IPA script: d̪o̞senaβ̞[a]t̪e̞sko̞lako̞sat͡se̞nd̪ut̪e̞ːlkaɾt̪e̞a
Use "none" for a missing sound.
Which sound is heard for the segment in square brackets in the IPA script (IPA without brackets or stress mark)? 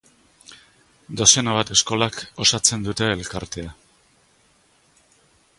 a